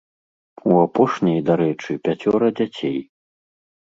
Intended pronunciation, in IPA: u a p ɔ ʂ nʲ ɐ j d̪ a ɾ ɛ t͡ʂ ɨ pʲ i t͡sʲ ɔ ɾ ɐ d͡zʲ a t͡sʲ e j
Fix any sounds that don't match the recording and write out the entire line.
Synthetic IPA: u a p ɔ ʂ nʲ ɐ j d̪ a ɾ ɛ t͡ʂ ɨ pʲ a t͡sʲ ɔ ɾ ɐ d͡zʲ a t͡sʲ e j

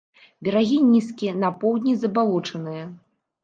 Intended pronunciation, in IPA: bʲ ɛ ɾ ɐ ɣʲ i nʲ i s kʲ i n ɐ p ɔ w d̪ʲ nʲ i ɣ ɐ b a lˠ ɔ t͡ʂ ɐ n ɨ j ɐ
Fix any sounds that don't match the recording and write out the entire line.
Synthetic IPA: bʲ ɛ ɾ a ɣʲ i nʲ i s kʲ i n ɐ p ɔ w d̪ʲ nʲ i z ɐ b a lˠ ɔ t͡ʂ ɐ n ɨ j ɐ

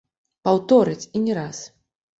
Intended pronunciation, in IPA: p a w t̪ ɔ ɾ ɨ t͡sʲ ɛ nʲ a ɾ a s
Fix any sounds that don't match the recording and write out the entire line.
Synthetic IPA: p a w t̪ ɔ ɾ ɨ t͡sʲ i nʲ ɛ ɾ a s

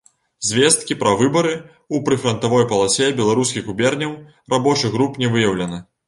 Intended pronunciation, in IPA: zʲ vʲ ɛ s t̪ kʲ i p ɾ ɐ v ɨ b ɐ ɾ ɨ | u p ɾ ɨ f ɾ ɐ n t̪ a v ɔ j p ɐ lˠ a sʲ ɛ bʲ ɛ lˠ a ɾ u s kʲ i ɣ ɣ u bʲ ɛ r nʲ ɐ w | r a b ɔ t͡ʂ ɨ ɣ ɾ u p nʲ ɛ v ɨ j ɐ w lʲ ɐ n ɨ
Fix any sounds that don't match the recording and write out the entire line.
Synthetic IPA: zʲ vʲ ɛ s t̪ kʲ i p ɾ ɐ v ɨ b ɐ ɾ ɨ | u p ɾ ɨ f ɾ ɐ n t̪ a v ɔ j p ɐ lˠ a sʲ ɛ bʲ ɛ lˠ a ɾ u s kʲ i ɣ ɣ u bʲ ɛ r nʲ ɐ w | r a b ɔ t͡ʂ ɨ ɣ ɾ u p nʲ ɛ v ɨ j ɐ w lʲ ɐ n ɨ

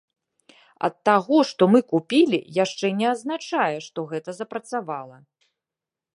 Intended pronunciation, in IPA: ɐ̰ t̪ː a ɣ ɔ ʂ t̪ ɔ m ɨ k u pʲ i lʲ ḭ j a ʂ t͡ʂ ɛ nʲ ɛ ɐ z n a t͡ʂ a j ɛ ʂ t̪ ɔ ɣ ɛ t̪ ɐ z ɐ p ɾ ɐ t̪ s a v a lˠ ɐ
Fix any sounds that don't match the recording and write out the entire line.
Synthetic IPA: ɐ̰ t̪ː a ɣ ɔ ʂ t̪ ɔ m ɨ k u pʲ i lʲ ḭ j a ʂ t͡ʂ ɛ nʲ ɛ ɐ z n a t͡ʂ a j ɛ ʂ t̪ ɔ ɣ ɛ t̪ ɐ z ɐ p ɾ ɐ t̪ s a v a lˠ ɐ

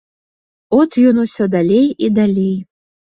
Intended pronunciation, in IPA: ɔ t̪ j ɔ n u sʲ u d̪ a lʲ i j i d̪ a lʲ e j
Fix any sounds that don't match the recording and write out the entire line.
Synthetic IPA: ɔ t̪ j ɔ n u sʲ ɔ d̪ a lʲ e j i d̪ a lʲ e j

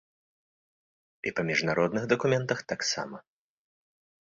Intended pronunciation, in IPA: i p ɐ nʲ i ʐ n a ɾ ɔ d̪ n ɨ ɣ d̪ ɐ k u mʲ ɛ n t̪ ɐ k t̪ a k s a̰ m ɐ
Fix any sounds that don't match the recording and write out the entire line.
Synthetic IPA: i p ɐ mʲ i ʐ n a ɾ ɔ d̪ n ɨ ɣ d̪ ɐ k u mʲ ɛ n t̪ ɐ x t̪ a k s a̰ m ɐ

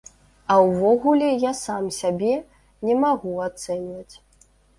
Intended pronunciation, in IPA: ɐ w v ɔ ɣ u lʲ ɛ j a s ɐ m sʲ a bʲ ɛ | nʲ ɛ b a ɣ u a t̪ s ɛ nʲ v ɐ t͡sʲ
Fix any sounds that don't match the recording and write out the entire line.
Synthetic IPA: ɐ w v ɔ ɣ u lʲ ɛ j a s a m sʲ a bʲ ɛ | nʲ ɛ m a ɣ u a t̪ s ɛ nʲ v ɐ t͡sʲ

